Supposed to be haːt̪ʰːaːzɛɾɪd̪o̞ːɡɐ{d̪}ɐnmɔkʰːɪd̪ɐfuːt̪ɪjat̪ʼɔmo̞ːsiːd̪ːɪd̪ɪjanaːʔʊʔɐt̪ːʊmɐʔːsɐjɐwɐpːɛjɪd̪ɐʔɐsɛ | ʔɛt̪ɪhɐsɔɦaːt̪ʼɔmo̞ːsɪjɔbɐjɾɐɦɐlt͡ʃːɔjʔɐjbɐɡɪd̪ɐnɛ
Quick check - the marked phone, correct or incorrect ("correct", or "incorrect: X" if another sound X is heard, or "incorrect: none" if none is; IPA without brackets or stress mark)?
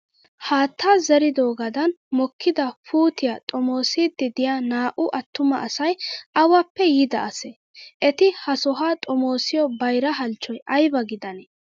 correct